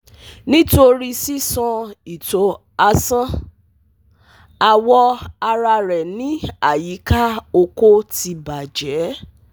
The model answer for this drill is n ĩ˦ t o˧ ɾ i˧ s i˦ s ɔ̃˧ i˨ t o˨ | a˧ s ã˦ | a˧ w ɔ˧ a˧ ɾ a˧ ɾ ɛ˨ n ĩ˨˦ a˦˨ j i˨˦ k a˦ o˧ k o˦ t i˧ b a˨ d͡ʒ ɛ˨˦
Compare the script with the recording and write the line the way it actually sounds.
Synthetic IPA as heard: n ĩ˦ t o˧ ɾ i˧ s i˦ s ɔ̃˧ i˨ t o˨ | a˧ s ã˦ | a˧ w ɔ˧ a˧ ɾ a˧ ɾ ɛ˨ n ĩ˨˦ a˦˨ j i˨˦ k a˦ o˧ k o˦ t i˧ b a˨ d͡ʒ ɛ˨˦